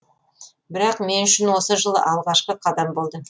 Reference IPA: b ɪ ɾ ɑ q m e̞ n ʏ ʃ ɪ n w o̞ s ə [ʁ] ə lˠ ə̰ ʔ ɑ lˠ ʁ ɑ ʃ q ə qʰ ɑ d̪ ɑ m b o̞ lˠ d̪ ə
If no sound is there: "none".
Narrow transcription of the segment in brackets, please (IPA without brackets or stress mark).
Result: ʒ